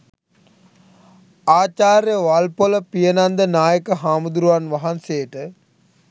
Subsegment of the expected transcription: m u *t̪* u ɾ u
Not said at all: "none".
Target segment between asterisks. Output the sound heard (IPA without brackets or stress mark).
d̪